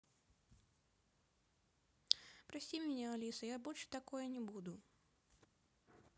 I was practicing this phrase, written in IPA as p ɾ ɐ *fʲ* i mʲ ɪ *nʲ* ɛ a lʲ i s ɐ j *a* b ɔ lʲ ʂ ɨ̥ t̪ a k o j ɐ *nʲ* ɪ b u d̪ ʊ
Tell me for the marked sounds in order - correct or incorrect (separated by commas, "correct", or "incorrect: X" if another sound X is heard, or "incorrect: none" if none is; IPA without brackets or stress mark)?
incorrect: sʲ, correct, correct, correct